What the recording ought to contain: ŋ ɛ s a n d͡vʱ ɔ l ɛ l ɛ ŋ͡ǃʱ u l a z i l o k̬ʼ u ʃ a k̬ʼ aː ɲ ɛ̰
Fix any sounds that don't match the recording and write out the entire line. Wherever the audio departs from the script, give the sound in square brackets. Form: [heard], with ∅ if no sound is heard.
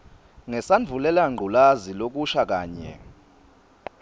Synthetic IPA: ŋ ɛ s a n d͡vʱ [u] l ɛ l [a] ŋ͡ǃʱ u l a z i l o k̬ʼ u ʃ a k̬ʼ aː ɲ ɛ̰